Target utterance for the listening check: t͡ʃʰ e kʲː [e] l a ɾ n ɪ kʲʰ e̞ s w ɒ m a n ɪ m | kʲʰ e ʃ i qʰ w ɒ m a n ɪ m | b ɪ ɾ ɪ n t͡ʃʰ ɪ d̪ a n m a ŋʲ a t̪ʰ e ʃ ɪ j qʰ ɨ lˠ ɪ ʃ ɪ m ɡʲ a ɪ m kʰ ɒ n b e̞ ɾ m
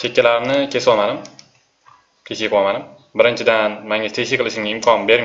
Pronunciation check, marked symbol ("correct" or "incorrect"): incorrect